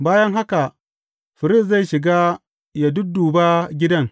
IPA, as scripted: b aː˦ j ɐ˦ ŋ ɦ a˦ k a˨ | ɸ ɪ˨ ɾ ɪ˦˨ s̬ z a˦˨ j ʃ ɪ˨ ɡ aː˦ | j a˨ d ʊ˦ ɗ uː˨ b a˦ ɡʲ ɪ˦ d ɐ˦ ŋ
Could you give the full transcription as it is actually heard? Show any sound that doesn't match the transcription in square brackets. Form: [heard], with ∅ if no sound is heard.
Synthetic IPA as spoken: b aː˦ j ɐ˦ ŋ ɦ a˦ k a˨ | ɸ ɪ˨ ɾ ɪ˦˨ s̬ z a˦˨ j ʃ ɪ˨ ɡ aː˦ | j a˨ d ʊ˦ [d] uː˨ b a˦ ɡʲ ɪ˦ d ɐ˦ ŋ